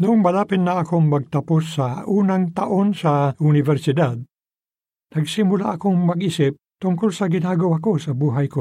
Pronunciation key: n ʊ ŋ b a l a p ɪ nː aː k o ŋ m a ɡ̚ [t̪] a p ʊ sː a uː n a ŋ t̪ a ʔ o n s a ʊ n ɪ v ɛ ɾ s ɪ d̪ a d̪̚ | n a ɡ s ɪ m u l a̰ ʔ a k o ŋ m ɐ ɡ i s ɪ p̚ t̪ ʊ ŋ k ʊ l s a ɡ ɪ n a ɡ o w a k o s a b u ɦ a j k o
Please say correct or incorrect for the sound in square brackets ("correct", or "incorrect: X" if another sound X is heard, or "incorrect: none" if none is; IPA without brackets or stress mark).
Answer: correct